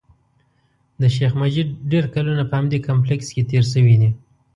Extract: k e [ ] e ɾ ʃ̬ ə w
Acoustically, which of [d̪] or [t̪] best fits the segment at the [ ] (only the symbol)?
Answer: t̪